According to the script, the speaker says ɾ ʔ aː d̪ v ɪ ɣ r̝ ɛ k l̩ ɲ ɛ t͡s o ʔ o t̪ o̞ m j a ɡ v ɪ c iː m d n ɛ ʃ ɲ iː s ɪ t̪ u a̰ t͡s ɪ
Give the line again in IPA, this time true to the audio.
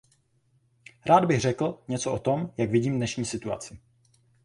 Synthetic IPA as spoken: ɾ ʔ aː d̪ b ɪ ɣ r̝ ɛ k l̩ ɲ ɛ t͡s o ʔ o t̪ o̞ m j a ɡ v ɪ ɟ iː m d n ɛ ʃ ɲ iː s ɪ t̪ u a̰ t͡s ɪ